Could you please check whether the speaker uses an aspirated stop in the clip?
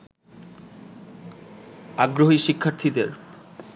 yes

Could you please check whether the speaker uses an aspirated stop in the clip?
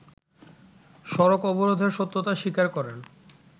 no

